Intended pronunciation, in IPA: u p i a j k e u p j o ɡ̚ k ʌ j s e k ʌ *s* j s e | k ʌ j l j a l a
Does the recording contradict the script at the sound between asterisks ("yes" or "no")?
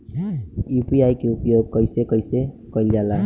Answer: yes